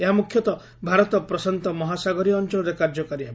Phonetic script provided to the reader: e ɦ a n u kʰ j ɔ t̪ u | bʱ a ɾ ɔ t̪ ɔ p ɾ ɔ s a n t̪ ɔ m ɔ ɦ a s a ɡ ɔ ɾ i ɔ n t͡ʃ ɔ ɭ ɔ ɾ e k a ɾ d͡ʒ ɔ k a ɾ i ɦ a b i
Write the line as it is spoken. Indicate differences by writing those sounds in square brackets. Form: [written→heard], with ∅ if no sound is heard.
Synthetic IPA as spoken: e ɦ a [n→m] u kʰ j ɔ t̪ [u→ɔ] | bʱ a ɾ ɔ t̪ ɔ p ɾ ɔ s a n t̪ ɔ m ɔ ɦ a s a ɡ ɔ ɾ i ɔ n t͡ʃ ɔ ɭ ɔ ɾ e k a ɾ d͡ʒ ɔ k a ɾ i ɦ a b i